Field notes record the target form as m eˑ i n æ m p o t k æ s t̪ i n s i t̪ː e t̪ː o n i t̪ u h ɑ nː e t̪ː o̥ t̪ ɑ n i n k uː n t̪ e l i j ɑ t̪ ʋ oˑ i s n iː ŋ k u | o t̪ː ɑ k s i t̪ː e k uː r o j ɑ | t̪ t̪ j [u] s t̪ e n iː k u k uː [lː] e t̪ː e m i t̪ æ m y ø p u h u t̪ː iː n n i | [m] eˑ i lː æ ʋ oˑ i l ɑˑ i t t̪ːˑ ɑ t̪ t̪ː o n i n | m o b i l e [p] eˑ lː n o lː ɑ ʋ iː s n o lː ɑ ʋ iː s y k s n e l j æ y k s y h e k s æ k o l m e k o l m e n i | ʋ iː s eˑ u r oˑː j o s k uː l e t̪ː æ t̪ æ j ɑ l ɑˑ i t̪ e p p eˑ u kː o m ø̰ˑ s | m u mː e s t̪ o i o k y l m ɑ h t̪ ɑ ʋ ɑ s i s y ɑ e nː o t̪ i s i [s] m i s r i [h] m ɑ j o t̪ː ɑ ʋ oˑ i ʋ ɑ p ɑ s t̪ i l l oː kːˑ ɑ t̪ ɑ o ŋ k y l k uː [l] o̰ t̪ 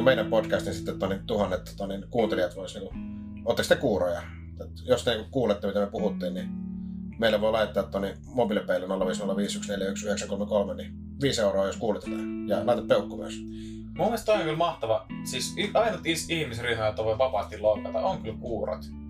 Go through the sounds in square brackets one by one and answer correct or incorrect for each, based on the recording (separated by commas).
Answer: incorrect, incorrect, correct, correct, incorrect, correct, incorrect